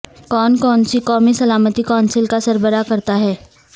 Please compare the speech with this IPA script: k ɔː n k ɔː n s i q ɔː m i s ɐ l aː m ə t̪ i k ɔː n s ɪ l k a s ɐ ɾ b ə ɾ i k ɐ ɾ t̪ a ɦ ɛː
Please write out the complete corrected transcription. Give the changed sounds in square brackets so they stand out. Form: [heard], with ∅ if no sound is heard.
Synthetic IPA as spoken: k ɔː n k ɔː n s i [k] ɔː m i s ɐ l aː m ə t̪ i k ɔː n s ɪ l k a s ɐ ɾ b ə ɾ [a] k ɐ ɾ t̪ a ɦ ɛː